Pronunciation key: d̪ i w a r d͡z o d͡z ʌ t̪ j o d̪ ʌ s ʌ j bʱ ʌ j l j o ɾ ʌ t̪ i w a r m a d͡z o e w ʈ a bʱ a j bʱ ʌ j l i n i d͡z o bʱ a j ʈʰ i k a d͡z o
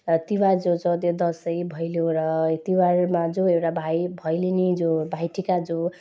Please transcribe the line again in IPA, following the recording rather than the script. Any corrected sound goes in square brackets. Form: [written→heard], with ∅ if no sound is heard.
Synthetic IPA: [d̪→t̪] i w a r d͡z o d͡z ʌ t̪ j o d̪ ʌ s ʌ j bʱ ʌ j l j o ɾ ʌ t̪ i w a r m a d͡z o e w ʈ a bʱ a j bʱ ʌ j l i n i d͡z o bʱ a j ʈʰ i k a d͡z o